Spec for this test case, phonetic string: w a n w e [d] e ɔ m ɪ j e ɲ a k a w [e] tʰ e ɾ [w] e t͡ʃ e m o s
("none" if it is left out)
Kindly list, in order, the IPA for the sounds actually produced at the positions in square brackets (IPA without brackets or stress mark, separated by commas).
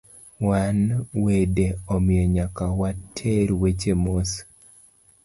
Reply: d, a, w